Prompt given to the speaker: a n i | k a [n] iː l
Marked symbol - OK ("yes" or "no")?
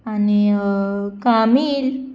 no